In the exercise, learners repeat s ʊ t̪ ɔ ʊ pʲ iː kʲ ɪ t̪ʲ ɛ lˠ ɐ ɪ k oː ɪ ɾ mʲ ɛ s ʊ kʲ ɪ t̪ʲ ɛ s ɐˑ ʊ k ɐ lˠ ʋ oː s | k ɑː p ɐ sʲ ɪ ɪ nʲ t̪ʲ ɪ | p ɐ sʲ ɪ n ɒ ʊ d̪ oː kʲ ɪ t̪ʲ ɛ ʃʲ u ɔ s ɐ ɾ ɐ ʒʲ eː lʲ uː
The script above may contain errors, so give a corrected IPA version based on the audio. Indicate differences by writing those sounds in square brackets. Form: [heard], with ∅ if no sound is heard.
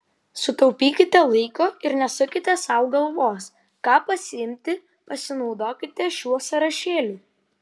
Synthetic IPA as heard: s ʊ t̪ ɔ ʊ pʲ iː kʲ ɪ t̪ʲ ɛ lˠ ɐ ɪ k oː ɪ ɾ [nʲ] ɛ s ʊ kʲ ɪ t̪ʲ ɛ s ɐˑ ʊ [ɡ] ɐ lˠ ʋ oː s | k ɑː p ɐ sʲ ɪ ɪ [mʲ] t̪ʲ ɪ | p ɐ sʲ ɪ n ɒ ʊ d̪ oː kʲ ɪ t̪ʲ ɛ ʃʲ u ɔ s ɐ ɾ ɐ [ʃʲ] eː lʲ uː